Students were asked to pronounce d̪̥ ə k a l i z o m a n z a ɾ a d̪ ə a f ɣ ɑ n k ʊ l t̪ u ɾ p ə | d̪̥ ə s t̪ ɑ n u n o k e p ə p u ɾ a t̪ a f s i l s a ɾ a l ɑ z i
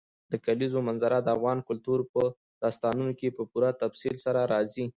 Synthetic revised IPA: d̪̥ ə k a l i z o m a n z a ɾ a d̪ ə a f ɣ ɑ n k ʊ l t̪ u ɾ p ə | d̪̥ ɑ s t̪ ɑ n u n o k e p ə p u ɾ a t̪ a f s i l s a ɾ a ɾ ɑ z i